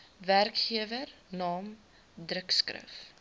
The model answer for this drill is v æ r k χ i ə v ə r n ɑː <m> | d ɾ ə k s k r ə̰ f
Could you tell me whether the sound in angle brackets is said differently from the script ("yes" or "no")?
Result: no